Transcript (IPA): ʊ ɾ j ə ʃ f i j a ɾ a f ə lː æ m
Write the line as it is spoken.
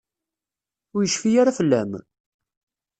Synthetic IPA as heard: ʊ ɾ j ə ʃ f i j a ɾ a f ə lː æ m